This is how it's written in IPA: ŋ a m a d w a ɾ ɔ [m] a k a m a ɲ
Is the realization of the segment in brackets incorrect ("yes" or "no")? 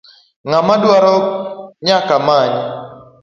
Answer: yes